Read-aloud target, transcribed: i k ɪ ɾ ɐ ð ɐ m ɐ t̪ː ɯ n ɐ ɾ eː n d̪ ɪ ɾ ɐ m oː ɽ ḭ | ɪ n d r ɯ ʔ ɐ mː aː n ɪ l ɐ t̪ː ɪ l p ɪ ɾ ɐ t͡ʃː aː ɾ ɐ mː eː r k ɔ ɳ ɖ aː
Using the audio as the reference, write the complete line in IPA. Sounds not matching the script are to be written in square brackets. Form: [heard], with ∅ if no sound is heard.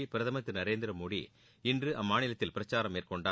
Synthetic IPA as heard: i [p] ɪ ɾ ɐ ð ɐ m ɐ t̪ː ɯ n ɐ ɾ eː n d̪ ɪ ɾ ɐ m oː ɽ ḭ | ɪ n d r ɯ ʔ ɐ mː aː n ɪ l ɐ t̪ː ɪ l p ɪ ɾ ɐ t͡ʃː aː ɾ ɐ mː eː r k ɔ ɳ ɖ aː